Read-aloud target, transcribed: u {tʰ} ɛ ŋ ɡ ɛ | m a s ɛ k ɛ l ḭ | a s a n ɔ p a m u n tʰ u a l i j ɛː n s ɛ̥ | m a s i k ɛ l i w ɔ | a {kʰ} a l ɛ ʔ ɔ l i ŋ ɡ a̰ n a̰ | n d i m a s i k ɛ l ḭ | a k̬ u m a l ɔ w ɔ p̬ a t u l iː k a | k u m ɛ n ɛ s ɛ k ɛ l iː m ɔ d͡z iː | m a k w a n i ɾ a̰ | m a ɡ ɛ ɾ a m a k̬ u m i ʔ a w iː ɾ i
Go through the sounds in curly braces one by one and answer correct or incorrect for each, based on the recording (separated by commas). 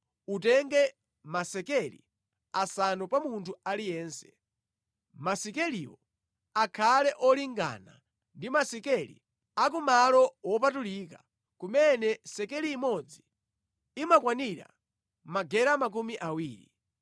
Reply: incorrect, correct